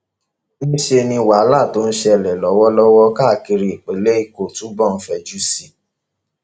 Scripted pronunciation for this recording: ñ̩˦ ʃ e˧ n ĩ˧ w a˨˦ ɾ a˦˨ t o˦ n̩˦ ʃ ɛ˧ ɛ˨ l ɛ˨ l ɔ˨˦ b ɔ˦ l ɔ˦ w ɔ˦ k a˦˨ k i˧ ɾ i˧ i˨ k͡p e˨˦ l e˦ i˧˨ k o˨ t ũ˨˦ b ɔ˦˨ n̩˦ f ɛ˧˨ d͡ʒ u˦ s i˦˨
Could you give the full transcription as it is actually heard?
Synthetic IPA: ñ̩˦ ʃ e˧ n ĩ˧ w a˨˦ l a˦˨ t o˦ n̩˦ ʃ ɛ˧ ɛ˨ l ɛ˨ l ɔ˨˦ w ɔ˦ l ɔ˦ w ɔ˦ k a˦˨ k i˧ ɾ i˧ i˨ k͡p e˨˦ l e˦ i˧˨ k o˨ t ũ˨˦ b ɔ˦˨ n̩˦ f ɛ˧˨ d͡ʒ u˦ s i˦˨